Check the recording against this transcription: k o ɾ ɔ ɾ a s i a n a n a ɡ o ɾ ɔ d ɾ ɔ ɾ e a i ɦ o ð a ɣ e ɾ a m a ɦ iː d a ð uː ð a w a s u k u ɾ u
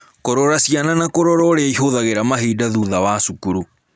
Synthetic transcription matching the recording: k o ɾ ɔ ɾ a s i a n a n a k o ɾ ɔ ɾ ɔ ɾ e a i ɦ o ð a ɣ e ɾ a m a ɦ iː d a ð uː ð a w a s u k u ɾ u